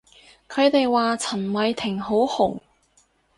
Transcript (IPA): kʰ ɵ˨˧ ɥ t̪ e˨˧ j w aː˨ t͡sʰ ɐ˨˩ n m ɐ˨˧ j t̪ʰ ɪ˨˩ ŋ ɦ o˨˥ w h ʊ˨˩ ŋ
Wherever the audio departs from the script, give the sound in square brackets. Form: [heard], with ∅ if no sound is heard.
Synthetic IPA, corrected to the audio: kʰ ɵ˨˧ ɥ t̪ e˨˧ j w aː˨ t͡sʰ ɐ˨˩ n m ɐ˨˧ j t̪ʰ ɪ˨˩ ŋ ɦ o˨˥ w h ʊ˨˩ ŋ